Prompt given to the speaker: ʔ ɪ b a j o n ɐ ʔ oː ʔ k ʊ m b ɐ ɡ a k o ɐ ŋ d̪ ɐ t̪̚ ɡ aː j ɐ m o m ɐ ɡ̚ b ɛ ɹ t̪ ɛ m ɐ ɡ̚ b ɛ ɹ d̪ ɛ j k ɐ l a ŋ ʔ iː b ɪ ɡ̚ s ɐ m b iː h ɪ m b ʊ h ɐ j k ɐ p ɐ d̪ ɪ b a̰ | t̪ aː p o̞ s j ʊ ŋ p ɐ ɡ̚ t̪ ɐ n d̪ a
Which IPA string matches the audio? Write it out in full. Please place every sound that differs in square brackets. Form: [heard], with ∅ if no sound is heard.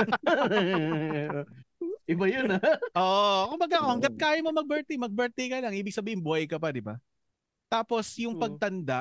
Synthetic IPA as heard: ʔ ɪ b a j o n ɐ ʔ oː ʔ k ʊ m b ɐ ɡ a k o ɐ ŋ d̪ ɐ t̪̚ [k] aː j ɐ m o m ɐ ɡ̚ b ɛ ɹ t̪ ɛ m ɐ ɡ̚ b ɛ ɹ [t̪] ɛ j k ɐ l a ŋ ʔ iː b ɪ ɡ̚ s ɐ [∅] b iː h ɪ [n] b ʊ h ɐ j k ɐ p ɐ d̪ ɪ b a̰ | t̪ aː p o̞ s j ʊ ŋ p ɐ ɡ̚ t̪ ɐ n d̪ a